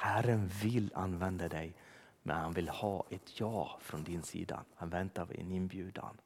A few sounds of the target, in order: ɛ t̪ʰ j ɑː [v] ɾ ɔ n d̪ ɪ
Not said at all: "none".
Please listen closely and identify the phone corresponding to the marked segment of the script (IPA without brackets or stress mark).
f